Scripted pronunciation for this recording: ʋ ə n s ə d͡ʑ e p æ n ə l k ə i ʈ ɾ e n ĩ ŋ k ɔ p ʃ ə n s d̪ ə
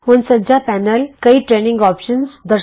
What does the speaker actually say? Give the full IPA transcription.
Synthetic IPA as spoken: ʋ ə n s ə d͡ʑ a p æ n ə l k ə i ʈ ɾ e n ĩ ŋ ɡ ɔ p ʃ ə n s d̪ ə